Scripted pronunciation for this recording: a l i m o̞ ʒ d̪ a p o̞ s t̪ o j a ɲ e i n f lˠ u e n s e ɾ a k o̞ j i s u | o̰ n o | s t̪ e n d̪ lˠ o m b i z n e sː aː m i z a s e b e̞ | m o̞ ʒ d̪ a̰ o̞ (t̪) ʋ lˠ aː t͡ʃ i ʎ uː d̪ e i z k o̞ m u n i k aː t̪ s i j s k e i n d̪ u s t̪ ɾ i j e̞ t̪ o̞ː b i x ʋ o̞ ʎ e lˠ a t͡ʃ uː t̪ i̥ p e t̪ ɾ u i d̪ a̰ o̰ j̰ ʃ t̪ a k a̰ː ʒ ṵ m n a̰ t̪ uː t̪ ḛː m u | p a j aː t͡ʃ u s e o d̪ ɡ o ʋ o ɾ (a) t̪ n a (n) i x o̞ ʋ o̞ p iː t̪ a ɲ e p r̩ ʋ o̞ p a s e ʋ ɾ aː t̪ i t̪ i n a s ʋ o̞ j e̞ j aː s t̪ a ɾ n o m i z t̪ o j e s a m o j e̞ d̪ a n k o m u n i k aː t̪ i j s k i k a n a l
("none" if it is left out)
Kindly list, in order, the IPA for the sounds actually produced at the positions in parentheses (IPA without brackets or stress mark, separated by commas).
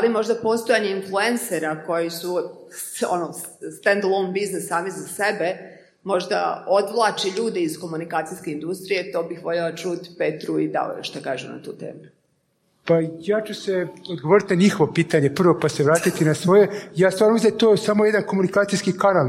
d̪, i, ɲ